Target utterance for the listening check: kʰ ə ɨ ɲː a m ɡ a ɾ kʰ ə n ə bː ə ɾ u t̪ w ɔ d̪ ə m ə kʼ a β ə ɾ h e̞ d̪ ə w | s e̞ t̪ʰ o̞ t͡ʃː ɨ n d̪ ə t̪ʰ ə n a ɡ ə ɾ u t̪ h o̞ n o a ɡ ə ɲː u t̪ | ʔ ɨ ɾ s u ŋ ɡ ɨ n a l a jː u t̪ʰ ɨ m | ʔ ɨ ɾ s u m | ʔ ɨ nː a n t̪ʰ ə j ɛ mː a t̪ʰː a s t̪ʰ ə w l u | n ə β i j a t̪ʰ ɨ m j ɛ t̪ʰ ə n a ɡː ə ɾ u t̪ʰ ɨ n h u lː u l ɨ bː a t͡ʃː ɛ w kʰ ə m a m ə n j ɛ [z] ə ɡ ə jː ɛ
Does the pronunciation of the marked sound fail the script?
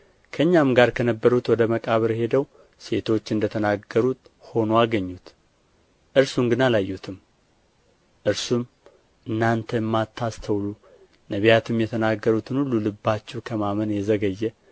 no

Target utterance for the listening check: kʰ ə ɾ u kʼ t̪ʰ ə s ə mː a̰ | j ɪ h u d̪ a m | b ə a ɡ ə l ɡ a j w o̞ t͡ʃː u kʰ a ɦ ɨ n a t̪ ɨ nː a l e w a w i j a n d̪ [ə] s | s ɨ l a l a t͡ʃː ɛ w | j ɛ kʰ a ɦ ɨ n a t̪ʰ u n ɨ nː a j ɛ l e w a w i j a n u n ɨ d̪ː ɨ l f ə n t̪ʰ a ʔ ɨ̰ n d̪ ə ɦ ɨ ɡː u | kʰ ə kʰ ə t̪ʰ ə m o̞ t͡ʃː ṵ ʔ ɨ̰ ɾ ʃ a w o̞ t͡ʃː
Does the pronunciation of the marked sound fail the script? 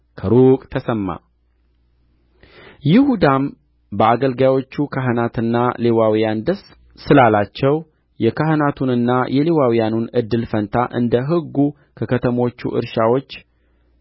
no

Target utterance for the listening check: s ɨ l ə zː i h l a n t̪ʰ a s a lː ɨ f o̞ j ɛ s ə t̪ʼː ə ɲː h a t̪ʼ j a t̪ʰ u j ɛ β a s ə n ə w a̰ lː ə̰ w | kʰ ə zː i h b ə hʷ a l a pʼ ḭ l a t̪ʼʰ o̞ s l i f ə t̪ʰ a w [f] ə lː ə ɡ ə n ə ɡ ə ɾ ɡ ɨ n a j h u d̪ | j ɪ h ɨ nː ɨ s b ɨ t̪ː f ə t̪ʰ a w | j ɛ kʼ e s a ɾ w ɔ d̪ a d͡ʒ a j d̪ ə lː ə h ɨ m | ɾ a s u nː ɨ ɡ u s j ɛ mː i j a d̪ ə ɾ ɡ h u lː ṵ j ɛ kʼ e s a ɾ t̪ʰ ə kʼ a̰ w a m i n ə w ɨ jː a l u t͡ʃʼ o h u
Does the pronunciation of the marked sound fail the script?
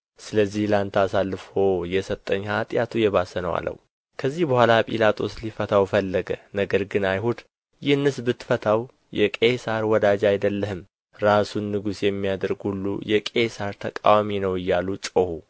no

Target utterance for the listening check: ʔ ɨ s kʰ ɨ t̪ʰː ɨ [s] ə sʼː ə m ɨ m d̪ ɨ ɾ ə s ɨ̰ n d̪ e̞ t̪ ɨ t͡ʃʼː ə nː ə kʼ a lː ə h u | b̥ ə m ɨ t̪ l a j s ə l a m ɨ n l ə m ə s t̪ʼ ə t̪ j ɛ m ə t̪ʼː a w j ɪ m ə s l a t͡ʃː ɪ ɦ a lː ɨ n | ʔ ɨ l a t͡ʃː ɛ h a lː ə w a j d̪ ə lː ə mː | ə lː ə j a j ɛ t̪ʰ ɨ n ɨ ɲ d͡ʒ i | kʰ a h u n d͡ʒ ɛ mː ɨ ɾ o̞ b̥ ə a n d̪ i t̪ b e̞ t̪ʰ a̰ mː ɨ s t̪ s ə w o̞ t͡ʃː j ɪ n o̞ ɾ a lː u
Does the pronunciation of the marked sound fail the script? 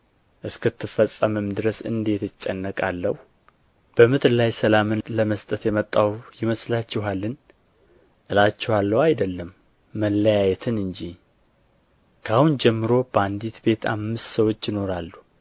yes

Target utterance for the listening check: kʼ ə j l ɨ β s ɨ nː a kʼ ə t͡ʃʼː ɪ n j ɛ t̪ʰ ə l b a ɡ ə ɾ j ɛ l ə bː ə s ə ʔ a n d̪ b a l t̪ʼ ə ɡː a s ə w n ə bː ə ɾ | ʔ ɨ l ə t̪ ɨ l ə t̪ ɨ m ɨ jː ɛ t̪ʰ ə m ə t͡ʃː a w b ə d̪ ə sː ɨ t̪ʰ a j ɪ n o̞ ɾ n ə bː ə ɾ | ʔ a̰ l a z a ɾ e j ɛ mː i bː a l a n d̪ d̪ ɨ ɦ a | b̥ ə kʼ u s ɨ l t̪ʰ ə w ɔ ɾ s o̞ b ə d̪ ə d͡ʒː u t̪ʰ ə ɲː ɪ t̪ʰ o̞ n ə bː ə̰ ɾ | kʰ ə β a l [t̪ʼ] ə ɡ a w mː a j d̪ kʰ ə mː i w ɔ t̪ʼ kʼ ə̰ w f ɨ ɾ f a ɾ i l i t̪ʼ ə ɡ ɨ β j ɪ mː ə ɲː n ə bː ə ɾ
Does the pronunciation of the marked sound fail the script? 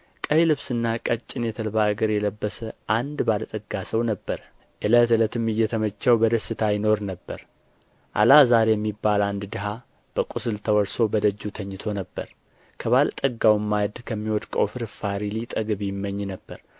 no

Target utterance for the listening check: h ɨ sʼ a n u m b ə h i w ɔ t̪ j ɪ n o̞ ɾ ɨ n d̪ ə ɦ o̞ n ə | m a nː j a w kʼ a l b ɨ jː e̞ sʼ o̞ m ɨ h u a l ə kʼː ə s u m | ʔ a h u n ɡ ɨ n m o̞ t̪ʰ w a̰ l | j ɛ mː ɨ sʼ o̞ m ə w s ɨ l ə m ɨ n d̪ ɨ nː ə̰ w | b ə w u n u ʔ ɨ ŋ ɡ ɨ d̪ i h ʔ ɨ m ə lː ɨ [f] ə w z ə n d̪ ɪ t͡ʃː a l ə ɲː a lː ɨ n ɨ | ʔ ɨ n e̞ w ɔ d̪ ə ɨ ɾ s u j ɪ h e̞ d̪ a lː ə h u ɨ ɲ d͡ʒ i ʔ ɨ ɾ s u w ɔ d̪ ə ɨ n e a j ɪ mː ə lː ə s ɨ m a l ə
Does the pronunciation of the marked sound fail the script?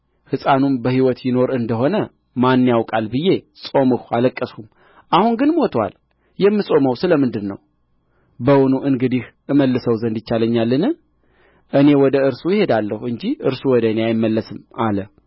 yes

